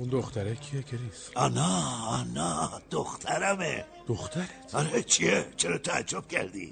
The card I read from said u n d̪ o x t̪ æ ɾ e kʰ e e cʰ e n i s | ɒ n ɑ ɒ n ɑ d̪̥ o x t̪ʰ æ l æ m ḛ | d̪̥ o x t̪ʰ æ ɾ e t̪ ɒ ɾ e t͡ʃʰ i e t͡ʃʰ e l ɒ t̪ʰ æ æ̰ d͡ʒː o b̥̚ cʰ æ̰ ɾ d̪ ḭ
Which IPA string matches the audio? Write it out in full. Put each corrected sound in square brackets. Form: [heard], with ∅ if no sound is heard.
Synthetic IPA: u n d̪ o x t̪ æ ɾ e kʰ [i] e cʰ e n i s | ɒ n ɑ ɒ n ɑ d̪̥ o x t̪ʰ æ [ɾ] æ m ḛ | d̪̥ o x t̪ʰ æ ɾ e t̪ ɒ ɾ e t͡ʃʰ i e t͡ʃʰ e [ɾ] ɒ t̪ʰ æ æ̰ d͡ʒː o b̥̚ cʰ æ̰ ɾ d̪ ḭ